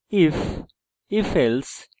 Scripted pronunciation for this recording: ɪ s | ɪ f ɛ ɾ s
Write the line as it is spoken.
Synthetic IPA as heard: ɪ f | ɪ f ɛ l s